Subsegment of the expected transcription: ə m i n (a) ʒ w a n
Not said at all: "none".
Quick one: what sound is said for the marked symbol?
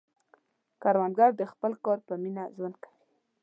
a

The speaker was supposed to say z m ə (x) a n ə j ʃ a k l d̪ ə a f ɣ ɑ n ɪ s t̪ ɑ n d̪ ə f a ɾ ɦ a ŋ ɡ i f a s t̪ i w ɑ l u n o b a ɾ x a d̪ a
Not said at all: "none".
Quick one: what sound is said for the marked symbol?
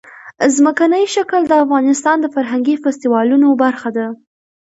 k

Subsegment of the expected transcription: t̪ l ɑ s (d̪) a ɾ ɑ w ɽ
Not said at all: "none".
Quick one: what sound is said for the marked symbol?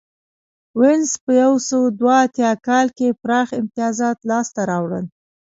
t̪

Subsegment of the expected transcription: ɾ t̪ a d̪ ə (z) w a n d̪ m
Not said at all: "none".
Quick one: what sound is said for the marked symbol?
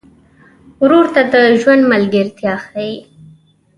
ʒ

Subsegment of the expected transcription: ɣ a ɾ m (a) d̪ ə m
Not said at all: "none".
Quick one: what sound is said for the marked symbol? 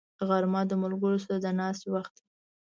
ɑ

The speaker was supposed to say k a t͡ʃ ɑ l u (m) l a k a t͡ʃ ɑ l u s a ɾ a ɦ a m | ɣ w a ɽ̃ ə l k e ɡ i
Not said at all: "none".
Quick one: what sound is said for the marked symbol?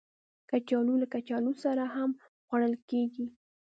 none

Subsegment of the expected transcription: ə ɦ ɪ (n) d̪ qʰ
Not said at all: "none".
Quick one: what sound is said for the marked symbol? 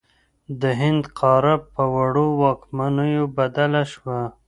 n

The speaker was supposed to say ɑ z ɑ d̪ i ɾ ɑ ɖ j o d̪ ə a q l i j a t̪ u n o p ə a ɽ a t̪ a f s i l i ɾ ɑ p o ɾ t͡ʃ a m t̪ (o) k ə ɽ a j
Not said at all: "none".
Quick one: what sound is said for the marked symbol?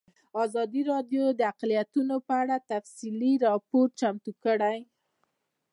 u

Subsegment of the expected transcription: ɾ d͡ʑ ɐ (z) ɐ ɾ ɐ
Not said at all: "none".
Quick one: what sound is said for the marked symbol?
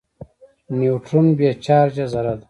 z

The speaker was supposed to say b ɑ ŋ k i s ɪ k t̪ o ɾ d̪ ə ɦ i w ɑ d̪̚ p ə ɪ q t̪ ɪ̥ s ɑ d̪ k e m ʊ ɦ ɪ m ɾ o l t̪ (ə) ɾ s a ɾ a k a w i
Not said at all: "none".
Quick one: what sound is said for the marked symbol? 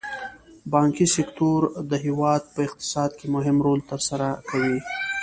ə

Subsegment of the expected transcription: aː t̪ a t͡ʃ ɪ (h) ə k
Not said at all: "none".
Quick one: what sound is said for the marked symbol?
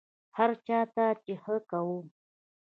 h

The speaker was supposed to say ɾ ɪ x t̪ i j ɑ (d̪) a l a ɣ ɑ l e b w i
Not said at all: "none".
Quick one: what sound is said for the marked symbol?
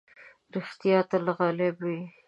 t̪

